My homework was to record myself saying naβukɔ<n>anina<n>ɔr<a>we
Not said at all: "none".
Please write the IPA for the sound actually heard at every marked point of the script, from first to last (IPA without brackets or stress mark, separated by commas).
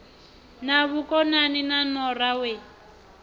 n, n, a